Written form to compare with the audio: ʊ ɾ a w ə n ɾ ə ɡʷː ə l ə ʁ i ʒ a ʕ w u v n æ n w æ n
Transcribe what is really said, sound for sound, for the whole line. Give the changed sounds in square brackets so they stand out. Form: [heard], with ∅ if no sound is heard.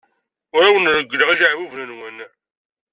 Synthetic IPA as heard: ʊ ɾ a w ə n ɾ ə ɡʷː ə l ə ʁ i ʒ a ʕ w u v n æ n w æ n